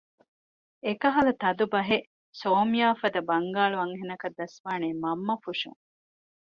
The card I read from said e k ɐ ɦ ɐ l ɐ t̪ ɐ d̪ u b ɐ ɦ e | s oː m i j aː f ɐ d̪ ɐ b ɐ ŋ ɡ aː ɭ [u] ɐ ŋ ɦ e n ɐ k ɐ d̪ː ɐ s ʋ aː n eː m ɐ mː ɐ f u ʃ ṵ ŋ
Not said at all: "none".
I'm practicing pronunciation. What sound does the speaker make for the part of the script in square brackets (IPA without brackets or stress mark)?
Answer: u